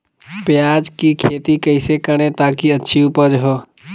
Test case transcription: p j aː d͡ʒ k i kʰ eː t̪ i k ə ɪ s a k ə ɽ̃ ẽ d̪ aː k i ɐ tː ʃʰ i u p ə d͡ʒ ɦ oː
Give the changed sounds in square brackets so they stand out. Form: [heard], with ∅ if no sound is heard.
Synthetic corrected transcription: p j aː d͡ʒ k i kʰ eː t̪ i k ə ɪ s [e] k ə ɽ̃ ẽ [t̪] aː k i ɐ tː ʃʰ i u p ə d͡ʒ ɦ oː